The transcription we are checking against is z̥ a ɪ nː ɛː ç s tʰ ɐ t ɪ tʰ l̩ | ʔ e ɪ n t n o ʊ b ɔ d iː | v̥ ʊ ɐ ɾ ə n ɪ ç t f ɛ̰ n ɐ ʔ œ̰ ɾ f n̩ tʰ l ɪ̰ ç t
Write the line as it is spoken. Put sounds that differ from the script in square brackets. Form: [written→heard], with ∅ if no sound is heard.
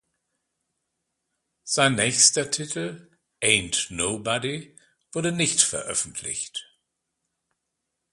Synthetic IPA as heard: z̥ a ɪ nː ɛː ç s [tʰ→t] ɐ [t→tʰ] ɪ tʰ l̩ | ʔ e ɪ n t n o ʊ b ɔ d [iː→i] | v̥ ʊ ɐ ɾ ə n ɪ ç t f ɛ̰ [n→∅] ɐ ʔ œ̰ [ɾ→∅] f n̩ tʰ l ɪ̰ ç t